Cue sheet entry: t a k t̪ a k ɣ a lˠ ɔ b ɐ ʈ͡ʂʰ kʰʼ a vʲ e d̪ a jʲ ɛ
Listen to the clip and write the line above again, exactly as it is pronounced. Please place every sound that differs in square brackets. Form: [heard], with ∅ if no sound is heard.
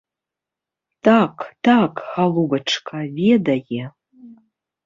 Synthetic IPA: t a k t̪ a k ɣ a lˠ [u] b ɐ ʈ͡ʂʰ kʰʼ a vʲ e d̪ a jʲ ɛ